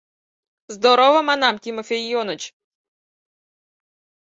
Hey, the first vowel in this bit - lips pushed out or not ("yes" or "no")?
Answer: yes